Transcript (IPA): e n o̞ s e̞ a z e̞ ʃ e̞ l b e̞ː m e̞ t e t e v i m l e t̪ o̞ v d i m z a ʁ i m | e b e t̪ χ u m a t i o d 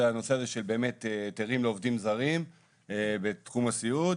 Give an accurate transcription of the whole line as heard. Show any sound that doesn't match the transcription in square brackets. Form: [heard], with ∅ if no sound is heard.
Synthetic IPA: [a] n o̞ s e̞ a z e̞ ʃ e̞ l b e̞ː m e̞ t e t e [ʁ] i m l e [∅] o̞ v d i m z a ʁ i m | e b e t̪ χ u m a [s] i [u] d